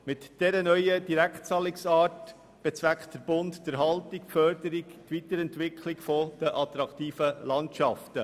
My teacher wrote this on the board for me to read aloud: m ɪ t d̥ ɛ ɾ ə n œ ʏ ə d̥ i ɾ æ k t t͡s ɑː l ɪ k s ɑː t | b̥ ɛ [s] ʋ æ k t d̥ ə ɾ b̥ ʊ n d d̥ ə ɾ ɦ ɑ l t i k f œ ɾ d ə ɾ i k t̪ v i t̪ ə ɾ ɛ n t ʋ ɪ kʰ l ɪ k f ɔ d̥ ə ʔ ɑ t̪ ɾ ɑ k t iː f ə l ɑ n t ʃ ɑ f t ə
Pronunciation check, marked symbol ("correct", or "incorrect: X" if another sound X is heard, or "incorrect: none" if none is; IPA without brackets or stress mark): incorrect: t͡s